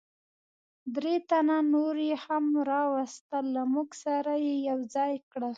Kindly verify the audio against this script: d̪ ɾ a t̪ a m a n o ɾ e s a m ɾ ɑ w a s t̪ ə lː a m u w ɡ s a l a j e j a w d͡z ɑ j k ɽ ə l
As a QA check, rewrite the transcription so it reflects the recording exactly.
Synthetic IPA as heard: d̪ ɾ e t̪ a n a n o ɾ e h a m ɾ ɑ w a s t̪ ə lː a m u ɡ s a ɾ a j e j a w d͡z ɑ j k ɽ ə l